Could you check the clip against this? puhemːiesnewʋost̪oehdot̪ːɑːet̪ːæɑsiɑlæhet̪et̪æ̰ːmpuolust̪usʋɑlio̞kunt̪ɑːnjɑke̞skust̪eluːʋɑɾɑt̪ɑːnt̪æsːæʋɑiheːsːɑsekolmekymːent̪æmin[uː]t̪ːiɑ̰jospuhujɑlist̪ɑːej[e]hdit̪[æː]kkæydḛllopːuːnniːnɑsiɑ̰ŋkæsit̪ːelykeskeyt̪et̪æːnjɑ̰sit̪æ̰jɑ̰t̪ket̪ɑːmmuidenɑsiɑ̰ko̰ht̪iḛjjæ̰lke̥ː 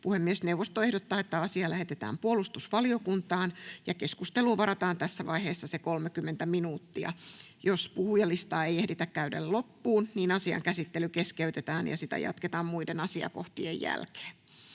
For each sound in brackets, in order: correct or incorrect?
correct, correct, incorrect: æ

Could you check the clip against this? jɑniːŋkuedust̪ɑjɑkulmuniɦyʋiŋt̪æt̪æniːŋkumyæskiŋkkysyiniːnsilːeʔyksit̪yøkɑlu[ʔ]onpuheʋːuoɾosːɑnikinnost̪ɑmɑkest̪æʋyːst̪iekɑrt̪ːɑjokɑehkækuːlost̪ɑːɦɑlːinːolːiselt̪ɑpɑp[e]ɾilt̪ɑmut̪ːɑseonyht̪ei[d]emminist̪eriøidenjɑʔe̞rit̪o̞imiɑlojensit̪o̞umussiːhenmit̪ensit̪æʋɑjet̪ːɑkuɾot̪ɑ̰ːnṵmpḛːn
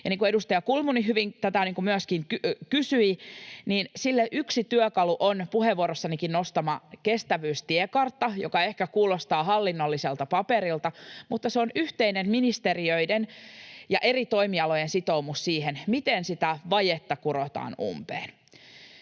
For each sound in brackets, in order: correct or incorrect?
correct, correct, incorrect: n

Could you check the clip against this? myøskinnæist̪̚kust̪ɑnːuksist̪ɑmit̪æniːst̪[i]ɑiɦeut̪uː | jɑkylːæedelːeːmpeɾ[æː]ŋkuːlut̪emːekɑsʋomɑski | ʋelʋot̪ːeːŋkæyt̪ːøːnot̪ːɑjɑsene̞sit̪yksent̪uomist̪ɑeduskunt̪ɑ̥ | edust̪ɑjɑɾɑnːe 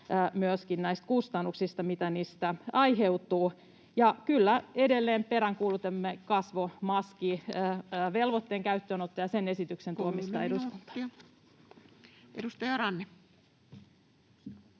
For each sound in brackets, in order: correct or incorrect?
incorrect: æ, incorrect: æ

